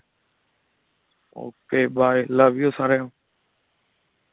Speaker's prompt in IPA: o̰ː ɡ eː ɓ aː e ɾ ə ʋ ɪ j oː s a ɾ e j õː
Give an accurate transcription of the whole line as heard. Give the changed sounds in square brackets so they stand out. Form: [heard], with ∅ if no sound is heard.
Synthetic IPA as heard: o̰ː [k] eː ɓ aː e [l] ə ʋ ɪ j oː s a ɾ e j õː